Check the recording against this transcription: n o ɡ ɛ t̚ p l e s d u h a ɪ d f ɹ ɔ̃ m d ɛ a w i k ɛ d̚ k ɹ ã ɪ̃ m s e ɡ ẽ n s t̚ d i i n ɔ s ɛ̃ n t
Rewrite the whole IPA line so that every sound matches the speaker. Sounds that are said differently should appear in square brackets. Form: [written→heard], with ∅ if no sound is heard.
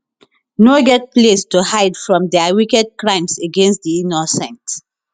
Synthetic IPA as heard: n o ɡ ɛ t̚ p l e s [d→t] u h a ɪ d f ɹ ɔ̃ m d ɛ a w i k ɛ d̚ k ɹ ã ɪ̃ m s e ɡ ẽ n s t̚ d i i n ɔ s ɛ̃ n t